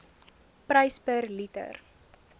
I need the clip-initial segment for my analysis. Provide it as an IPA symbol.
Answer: p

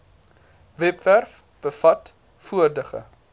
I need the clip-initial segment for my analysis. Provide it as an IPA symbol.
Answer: v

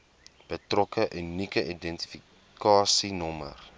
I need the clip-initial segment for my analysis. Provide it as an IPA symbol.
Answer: b̥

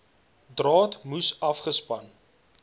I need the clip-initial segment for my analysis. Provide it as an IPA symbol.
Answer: d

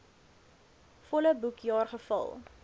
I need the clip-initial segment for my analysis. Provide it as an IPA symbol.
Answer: f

